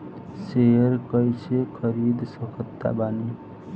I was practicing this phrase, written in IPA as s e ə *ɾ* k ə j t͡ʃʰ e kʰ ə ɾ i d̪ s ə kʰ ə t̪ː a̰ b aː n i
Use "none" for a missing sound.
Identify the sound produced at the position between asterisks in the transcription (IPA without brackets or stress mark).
ɾ